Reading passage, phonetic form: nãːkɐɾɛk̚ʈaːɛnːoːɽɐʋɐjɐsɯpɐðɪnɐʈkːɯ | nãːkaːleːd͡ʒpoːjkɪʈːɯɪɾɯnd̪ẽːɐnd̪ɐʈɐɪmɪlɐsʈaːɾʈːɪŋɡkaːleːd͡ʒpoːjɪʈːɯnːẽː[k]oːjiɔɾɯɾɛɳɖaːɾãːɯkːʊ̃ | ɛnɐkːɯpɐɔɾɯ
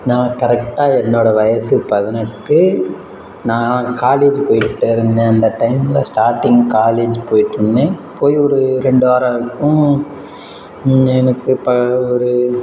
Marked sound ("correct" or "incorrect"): incorrect